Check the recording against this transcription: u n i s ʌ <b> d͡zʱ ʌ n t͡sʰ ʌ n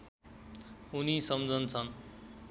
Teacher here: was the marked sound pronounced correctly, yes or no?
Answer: no